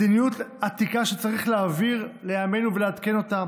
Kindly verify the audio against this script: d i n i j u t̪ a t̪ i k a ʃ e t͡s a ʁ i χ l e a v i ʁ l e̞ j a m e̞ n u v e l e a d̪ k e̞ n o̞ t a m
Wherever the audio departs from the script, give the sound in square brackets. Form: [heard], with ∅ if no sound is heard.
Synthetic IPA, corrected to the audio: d i n i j u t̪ a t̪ i k a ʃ e t͡s a ʁ i χ l e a v i ʁ l e̞ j a m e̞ n u v e l e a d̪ k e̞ n o̞ t a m